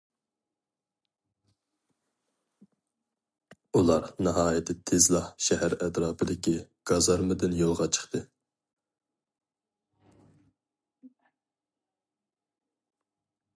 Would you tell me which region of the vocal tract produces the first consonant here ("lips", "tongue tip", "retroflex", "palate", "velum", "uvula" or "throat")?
tongue tip